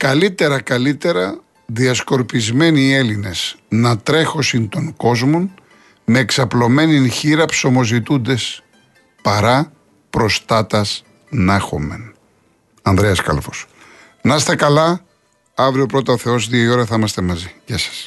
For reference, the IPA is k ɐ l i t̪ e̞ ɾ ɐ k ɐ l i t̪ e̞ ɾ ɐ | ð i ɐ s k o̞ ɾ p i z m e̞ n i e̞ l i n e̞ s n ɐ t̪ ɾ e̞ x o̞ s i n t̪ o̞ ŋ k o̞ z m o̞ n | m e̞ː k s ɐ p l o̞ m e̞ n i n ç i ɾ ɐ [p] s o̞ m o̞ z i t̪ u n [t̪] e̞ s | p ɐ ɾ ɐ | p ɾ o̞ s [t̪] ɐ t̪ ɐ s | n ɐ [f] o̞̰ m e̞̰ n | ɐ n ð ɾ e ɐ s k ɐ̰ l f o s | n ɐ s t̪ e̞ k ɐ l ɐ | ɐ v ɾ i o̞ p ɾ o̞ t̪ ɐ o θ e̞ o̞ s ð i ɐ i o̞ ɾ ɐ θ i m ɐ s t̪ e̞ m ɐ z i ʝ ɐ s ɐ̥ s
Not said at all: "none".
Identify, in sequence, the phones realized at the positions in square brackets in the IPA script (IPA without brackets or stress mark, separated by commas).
p, d̪, t̪, x